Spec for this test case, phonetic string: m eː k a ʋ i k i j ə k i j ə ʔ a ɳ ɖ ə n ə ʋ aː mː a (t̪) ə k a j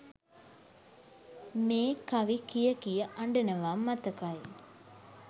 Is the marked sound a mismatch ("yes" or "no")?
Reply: no